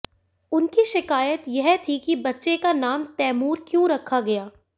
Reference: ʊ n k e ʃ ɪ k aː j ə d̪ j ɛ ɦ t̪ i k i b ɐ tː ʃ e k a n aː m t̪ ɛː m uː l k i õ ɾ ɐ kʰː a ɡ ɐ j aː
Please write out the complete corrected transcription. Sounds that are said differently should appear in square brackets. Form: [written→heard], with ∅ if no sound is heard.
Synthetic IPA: ʊ n k [e→i] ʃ ɪ k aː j ə [d̪→t̪] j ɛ ɦ [t̪→t̪ʰ] i k i b ɐ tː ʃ e k a n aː m t̪ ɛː m uː [l→ɾ] k [i→j] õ ɾ ɐ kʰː a ɡ ɐ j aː